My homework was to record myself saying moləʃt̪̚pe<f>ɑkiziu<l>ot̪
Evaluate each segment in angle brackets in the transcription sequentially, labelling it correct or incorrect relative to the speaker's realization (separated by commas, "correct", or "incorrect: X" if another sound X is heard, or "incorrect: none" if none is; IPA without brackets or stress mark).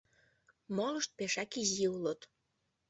incorrect: ʃ, correct